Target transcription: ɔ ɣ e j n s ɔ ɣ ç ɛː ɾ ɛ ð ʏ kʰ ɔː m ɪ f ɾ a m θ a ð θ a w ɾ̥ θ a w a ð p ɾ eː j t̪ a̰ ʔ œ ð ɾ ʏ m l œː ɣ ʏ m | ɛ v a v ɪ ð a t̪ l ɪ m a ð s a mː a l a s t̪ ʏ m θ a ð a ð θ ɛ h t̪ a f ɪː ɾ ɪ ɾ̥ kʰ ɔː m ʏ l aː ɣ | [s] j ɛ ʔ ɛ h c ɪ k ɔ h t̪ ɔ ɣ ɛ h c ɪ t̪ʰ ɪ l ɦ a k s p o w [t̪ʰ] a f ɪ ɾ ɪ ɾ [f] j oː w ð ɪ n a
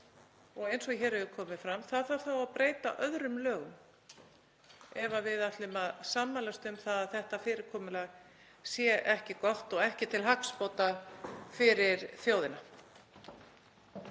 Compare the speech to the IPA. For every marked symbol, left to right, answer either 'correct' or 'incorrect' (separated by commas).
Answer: correct, incorrect, incorrect